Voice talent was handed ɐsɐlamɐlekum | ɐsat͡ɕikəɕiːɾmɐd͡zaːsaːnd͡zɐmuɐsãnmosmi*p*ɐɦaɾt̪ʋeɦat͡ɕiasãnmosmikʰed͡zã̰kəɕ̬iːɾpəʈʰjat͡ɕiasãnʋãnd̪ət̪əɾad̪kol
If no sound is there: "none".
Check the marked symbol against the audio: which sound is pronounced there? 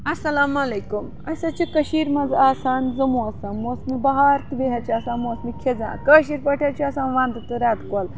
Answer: b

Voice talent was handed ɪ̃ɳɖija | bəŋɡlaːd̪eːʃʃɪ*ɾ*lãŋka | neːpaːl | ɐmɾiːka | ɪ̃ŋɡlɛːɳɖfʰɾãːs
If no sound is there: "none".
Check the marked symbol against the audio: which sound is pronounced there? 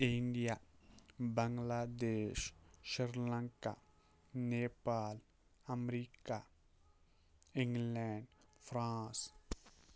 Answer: ɾ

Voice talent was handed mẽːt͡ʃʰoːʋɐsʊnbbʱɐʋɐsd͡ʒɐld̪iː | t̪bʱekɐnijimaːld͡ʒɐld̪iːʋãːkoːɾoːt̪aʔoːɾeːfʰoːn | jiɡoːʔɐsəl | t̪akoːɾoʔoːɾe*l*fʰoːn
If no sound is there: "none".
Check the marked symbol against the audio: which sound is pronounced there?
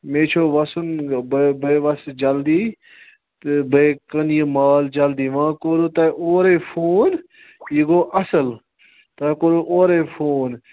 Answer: none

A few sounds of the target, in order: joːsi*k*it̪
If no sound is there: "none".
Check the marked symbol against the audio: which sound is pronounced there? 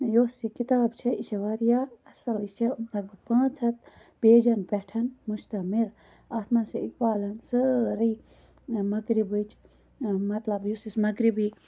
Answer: k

